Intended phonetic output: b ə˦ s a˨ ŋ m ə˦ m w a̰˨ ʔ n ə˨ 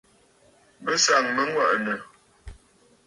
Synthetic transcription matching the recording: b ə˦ s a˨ ŋ m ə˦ ŋ w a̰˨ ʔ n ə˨

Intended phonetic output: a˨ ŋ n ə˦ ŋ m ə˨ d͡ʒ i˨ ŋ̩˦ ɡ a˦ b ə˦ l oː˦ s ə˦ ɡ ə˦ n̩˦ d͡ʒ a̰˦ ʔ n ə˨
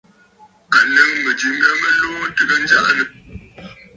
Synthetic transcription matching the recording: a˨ n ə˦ ŋ m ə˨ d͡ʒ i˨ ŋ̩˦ ɡ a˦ m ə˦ l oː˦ t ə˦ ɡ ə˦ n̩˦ d͡ʒ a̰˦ ʔ n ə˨

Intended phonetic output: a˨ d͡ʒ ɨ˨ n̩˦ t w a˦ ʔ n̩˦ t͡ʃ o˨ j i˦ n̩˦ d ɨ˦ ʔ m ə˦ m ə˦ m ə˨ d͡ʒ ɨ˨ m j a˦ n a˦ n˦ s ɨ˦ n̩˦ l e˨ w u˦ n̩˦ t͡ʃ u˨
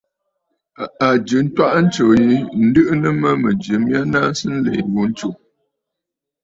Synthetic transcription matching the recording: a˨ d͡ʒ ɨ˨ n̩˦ t w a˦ ʔ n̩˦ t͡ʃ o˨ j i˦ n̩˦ d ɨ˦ ʔ n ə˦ m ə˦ m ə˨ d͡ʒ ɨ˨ m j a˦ n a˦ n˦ s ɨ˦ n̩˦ l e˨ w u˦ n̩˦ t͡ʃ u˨

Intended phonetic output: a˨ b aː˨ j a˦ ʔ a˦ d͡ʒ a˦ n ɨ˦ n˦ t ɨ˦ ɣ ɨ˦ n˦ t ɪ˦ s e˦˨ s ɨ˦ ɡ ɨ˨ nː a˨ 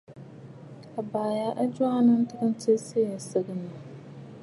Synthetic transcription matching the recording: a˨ b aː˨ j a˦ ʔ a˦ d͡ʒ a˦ n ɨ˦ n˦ t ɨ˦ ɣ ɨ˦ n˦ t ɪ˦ s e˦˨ s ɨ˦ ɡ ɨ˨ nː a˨

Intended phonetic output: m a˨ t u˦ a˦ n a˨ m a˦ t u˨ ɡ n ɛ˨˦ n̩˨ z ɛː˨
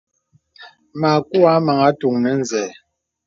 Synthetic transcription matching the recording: m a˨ k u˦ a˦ m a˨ ŋ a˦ t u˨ ŋ n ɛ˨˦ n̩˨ z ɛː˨

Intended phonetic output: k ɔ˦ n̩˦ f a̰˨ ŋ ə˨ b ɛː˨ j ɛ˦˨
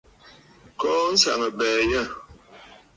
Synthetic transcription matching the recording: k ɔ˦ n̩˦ s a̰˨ ŋ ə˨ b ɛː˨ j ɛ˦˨

